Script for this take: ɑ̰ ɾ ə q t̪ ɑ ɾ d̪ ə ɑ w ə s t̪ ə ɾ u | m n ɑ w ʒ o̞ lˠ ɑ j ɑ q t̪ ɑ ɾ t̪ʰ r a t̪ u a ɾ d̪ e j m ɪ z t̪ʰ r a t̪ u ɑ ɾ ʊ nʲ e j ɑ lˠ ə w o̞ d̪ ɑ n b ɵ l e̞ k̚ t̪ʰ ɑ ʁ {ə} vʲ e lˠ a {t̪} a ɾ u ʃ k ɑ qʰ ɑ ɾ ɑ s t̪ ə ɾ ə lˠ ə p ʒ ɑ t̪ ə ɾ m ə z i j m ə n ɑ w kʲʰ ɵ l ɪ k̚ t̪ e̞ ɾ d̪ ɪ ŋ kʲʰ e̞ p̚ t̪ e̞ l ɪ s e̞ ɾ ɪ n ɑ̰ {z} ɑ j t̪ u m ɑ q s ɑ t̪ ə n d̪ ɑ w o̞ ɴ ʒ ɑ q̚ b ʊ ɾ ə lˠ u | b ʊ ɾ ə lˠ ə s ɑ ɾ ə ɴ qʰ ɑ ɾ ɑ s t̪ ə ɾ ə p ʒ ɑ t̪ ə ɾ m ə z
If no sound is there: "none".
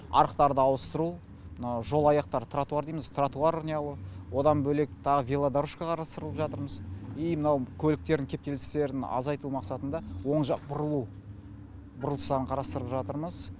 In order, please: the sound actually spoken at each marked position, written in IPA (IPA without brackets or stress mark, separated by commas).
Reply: ə, d̪, z